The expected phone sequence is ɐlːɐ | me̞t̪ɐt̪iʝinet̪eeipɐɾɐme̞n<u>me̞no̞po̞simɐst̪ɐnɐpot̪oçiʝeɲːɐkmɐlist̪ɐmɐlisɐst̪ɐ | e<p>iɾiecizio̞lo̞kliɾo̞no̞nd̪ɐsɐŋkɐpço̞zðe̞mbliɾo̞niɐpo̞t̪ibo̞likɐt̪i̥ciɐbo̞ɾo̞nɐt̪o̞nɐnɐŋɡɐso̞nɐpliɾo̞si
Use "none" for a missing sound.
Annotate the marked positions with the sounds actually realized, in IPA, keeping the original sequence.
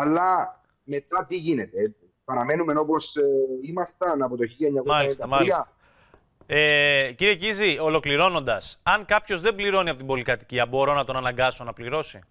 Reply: u, c

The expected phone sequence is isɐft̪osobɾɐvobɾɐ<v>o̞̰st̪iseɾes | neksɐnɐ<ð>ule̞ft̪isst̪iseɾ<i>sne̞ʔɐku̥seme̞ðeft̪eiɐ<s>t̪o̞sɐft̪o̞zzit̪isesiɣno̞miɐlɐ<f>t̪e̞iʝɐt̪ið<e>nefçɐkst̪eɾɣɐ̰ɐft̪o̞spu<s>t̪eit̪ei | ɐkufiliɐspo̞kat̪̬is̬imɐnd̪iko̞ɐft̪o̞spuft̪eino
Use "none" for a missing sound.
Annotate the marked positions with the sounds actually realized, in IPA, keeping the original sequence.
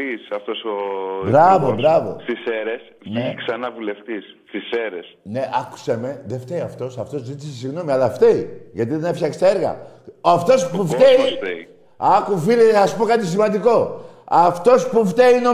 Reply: v, v, e, f, f, e, f

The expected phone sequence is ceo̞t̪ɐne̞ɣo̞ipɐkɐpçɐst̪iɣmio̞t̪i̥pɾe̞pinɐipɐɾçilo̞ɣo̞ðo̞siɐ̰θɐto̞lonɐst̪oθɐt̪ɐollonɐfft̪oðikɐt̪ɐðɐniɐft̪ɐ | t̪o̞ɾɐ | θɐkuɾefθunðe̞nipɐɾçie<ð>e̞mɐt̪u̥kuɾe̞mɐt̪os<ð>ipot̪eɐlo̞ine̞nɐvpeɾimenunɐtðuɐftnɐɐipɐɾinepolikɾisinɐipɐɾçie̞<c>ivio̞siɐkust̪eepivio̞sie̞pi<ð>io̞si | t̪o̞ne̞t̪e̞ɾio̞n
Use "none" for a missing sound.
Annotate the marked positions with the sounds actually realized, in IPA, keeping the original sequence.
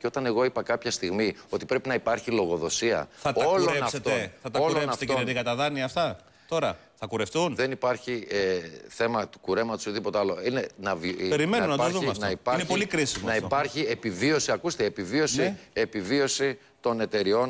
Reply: θ, ð, p, v

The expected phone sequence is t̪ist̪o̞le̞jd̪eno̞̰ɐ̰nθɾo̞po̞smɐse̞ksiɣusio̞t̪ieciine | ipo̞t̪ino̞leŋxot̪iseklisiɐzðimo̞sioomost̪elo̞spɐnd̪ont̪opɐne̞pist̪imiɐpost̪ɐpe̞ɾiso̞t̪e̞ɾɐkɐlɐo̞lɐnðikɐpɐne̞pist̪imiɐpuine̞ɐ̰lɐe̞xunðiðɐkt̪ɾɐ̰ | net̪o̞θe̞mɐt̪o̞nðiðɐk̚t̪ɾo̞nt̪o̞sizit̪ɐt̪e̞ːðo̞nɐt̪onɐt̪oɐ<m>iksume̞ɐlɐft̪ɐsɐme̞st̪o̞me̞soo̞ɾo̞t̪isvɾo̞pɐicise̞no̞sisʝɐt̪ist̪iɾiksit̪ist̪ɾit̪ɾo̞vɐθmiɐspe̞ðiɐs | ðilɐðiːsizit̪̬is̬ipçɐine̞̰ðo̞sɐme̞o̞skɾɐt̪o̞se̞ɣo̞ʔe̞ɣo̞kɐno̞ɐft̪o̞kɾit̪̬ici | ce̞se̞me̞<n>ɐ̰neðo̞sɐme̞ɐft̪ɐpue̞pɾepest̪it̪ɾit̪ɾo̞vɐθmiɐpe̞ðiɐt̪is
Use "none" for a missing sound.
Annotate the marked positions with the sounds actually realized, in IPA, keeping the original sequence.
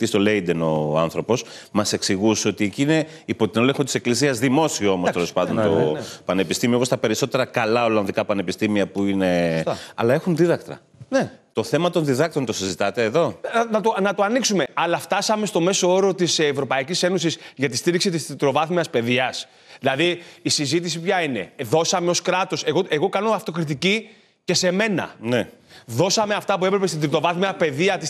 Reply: n, n

